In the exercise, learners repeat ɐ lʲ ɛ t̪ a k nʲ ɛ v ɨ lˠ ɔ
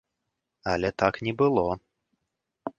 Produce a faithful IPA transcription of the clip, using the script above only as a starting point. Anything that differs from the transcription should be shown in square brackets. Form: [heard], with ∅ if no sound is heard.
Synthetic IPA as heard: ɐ lʲ ɛ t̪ a k nʲ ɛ [b] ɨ lˠ ɔ

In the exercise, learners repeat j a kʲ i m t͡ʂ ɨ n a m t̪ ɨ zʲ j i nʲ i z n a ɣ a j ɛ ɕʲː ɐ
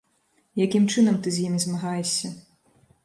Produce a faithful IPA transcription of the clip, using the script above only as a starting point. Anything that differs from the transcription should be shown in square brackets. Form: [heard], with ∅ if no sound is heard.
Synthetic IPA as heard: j a kʲ i m t͡ʂ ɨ n [ɐ] m t̪ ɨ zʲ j i [mʲ] i z [m] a ɣ a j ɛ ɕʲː ɐ

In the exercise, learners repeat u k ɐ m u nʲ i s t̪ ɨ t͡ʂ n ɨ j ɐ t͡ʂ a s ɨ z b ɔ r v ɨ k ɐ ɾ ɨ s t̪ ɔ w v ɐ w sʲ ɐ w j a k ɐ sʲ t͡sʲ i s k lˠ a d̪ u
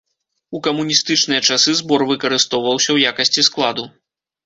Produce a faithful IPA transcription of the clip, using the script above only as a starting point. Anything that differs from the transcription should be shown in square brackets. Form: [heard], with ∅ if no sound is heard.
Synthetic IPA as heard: u k ɐ m u nʲ i s t̪ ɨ t͡ʂ n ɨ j ɐ t͡ʂ a s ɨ z b ɔ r v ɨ k ɐ ɾ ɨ s t̪ ɔ w v ɐ w sʲ ɐ w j a k ɐ sʲ t͡sʲ i s k lˠ a d̪ u

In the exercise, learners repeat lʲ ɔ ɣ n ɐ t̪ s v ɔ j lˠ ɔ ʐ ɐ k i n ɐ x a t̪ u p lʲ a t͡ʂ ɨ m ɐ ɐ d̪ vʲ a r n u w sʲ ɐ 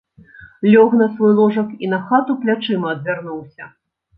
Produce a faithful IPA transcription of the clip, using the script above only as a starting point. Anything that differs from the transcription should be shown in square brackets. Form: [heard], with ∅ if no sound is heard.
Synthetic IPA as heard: lʲ ɔ ɣ n ɐ [∅] s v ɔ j lˠ ɔ ʐ ɐ k i n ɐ x a t̪ u p lʲ a t͡ʂ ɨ m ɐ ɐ d̪ vʲ a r n u w sʲ ɐ

